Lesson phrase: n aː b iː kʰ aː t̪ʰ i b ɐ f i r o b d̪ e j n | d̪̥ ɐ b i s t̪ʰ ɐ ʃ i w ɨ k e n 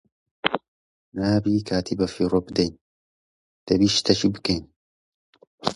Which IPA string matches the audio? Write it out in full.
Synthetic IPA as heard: n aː b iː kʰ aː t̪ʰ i b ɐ f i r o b d̪ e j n | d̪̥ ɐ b i ʃ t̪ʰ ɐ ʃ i b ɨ k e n